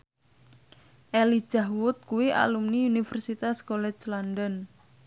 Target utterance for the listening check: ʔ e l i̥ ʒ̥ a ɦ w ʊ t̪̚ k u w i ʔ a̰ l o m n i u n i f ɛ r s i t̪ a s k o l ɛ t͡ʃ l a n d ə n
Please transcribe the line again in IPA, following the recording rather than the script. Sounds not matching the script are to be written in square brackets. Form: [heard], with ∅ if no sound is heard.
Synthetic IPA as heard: ʔ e l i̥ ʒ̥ a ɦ w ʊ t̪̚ k u w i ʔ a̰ l [u] m n i u n i f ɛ r s i t̪ a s k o l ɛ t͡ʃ l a n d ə n

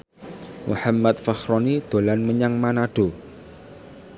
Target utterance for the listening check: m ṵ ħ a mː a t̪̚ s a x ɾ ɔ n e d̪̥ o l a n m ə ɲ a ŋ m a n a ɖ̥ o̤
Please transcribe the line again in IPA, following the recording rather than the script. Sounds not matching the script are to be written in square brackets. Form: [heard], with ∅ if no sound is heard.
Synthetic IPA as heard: m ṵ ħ a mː a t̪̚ [f] a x ɾ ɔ n [i] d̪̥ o l a n m ə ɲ a ŋ m a n a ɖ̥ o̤

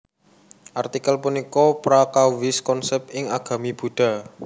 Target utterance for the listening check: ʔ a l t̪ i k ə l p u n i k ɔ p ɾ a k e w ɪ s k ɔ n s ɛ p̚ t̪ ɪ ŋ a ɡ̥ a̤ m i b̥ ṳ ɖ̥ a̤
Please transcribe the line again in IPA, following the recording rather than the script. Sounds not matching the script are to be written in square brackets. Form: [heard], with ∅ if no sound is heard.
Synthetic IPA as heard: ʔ a [r] t̪ i k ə l p u n i k ɔ p ɾ a k [a] w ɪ s k ɔ n s ɛ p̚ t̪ ɪ ŋ a ɡ̥ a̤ m i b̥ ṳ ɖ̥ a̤

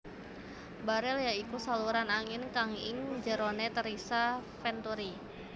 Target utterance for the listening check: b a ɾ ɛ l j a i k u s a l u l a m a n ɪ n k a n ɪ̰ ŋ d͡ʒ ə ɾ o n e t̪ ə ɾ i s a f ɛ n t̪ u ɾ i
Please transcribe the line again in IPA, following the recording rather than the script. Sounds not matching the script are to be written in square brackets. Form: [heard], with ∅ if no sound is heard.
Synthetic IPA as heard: b a ɾ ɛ l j a i k u s a l u [ɾ] a [n] a [ŋ] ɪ n k a [ŋ] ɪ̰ ŋ d͡ʒ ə ɾ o n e t̪ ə ɾ i s a f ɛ n t̪ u ɾ i

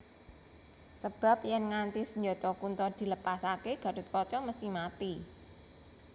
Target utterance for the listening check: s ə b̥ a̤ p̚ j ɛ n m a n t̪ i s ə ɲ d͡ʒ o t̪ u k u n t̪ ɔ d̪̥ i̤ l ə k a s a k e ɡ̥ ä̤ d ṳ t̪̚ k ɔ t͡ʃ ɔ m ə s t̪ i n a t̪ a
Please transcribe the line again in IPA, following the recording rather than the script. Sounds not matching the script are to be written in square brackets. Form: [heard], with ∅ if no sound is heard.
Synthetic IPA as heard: s ə b̥ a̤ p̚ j ɛ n [ŋ] a n t̪ i s ə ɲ d͡ʒ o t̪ [ɔ] k u n t̪ ɔ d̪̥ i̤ l ə [p] a s a k e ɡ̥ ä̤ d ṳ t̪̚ k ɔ t͡ʃ ɔ m ə s t̪ i [m] a t̪ [i]

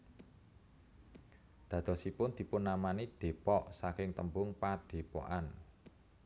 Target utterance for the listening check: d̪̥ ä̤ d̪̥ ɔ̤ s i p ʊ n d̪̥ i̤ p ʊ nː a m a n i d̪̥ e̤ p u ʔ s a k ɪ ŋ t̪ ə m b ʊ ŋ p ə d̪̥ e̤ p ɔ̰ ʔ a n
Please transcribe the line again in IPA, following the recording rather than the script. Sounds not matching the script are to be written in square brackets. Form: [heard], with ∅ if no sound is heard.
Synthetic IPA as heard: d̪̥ ä̤ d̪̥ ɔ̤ s i p ʊ n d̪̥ i̤ p ʊ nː a m a n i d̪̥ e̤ p [ɔ] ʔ s a k ɪ ŋ t̪ ə m b ʊ ŋ p [a] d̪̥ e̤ p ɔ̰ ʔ a n

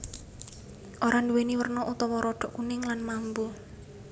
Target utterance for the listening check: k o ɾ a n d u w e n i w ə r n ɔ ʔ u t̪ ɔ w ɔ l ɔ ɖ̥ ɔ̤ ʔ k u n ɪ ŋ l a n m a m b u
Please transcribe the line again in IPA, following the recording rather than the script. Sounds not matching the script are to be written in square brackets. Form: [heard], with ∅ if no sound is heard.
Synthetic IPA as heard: [ʔ] o ɾ a n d u w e n i w ə r n ɔ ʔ u t̪ ɔ w ɔ [ɾ] ɔ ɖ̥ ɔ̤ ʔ k u n ɪ ŋ l a n m a m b u

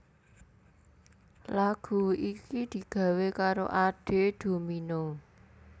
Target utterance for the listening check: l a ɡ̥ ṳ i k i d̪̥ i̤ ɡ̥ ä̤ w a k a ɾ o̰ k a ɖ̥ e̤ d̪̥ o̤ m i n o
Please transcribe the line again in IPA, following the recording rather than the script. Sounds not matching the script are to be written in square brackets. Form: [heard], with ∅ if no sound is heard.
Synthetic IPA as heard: l a ɡ̥ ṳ i k i d̪̥ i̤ ɡ̥ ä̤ w [e] k a ɾ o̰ [ʔ] a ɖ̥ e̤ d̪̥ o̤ m i n o

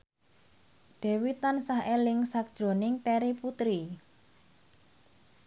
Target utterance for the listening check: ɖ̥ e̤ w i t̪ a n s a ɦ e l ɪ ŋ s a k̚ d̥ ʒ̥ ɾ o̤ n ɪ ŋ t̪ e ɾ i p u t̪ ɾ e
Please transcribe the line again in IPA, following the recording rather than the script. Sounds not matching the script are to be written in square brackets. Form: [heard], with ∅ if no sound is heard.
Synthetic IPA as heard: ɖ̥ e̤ w i t̪ a n s a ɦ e l ɪ ŋ s a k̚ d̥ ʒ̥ ɾ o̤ n ɪ ŋ t̪ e ɾ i p u t̪ ɾ [i]

